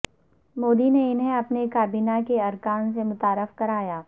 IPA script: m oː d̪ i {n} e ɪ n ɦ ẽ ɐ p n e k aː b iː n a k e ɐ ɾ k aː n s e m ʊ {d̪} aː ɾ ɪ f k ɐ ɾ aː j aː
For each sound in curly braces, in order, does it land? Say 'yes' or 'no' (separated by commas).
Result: yes, no